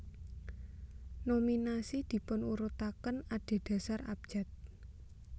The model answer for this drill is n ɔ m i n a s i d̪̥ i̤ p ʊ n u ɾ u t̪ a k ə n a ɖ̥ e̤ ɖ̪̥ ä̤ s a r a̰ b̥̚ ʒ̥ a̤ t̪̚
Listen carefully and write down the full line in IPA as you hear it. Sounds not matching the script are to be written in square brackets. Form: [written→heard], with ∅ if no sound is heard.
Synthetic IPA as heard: n [ɔ→o] m i n a s i d̪̥ i̤ p ʊ n u ɾ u t̪ a k ə n a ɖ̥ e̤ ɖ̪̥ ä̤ s a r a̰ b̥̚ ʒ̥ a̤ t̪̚